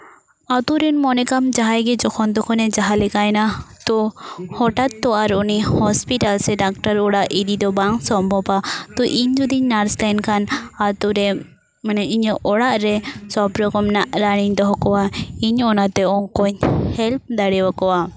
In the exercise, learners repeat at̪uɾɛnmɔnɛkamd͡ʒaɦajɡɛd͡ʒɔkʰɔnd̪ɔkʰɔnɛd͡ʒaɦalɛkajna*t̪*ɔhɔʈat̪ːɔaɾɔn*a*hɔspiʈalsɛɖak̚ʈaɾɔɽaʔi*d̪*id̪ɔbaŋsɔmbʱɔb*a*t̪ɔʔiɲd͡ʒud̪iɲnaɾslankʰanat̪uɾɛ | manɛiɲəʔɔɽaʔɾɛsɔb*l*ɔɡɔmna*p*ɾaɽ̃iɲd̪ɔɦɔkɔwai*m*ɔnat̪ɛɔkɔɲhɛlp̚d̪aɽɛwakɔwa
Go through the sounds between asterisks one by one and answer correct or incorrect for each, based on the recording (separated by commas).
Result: correct, incorrect, correct, correct, incorrect, incorrect, incorrect